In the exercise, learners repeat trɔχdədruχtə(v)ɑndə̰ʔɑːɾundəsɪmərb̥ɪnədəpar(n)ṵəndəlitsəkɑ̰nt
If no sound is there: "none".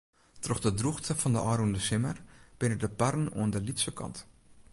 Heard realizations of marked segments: f, n

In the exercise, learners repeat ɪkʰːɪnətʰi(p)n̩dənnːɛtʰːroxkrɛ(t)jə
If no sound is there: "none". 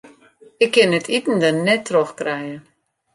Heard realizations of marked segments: t, none

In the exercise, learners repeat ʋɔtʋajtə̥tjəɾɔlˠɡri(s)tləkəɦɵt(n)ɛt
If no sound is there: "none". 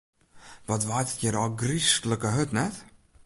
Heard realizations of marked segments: s, n

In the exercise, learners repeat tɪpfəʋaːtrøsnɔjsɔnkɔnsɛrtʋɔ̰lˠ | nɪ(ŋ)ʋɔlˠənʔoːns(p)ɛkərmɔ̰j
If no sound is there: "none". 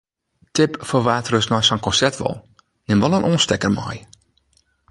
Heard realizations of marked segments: m, t

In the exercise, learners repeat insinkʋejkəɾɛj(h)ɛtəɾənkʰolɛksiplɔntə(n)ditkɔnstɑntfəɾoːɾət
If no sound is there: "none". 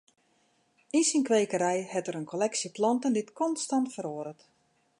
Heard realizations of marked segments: h, n

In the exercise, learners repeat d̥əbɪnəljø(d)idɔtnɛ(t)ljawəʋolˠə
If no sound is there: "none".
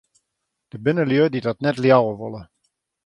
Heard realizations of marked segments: d, t

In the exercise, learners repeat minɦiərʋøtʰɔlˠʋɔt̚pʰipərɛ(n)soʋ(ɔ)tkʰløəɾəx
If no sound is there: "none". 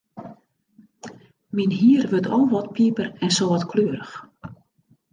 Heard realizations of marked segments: n, ɔ

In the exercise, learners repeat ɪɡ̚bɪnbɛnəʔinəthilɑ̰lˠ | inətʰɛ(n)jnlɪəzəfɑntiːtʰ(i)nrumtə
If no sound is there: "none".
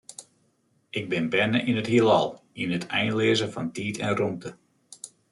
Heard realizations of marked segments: none, ɛ

